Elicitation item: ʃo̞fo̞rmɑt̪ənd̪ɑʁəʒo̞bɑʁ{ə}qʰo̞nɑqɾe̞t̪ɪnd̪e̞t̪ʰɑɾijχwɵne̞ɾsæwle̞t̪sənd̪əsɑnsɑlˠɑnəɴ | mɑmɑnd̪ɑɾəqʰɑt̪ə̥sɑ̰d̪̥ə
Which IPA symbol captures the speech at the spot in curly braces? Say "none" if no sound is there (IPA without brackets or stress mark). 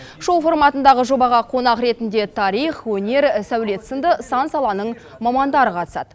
ɑ